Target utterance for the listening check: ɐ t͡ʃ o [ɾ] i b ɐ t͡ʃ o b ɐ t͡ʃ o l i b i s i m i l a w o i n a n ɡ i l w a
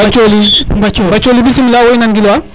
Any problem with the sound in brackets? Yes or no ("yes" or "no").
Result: yes